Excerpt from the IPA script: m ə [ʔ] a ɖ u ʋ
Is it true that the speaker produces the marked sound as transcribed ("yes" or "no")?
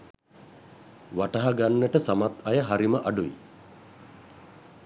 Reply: yes